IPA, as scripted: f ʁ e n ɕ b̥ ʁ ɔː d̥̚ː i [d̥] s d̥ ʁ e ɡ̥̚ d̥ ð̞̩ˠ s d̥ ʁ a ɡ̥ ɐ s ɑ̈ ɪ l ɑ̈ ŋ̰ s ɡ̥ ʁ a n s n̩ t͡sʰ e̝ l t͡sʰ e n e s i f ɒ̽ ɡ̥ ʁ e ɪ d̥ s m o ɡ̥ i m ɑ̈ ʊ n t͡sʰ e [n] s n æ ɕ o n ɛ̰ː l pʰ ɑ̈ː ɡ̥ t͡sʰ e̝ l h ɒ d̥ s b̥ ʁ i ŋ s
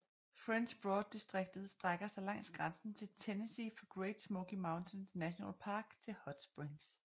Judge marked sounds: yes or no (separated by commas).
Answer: no, yes